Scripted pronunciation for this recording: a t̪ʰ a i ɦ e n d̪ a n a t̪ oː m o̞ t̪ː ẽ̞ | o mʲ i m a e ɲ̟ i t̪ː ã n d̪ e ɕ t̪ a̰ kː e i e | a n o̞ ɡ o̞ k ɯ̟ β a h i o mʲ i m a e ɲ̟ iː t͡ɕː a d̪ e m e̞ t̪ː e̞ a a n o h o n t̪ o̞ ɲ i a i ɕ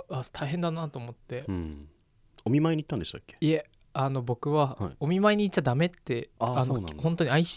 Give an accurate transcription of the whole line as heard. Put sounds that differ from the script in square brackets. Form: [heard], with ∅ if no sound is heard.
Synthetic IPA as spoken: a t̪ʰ a i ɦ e n d̪ a n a t̪ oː m o̞ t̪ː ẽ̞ | o mʲ i m a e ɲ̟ i t̪ː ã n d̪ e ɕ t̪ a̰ kː e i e | a n o̞ [b] o̞ k ɯ̟ β a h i o mʲ i m a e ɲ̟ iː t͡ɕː a d̪ [a] m e̞ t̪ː e̞ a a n o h o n t̪ o̞ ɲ i a i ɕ